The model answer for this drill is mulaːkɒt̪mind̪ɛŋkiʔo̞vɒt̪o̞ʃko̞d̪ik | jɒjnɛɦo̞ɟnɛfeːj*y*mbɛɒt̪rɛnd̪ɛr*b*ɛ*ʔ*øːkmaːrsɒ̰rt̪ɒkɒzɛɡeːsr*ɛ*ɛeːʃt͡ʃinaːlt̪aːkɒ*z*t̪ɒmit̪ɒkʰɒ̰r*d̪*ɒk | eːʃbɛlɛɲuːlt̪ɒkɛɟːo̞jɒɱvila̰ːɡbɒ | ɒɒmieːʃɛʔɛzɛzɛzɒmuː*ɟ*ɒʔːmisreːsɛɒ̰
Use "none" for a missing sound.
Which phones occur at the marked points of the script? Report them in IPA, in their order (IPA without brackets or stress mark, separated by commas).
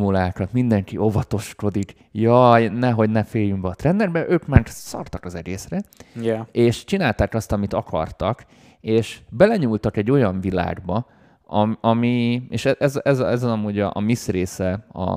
y, b, ʔ, ɛ, s, t̪, ɟ